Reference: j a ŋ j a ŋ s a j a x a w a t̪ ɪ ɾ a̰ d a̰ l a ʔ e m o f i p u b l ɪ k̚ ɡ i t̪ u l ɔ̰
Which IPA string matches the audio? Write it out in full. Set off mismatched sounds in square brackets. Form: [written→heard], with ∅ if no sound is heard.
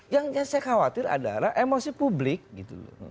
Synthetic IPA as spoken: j a ŋ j a ŋ s a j a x a w a t̪ ɪ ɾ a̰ d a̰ l a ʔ e m o [f→s] i p u b l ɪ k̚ ɡ i t̪ u l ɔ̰